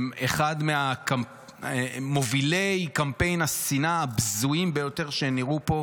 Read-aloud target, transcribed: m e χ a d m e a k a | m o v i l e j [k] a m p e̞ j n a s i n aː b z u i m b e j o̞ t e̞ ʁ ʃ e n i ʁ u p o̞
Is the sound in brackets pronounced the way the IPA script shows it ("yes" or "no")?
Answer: yes